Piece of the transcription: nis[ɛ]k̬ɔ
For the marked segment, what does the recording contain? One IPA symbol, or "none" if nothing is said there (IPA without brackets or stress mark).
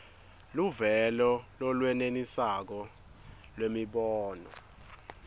a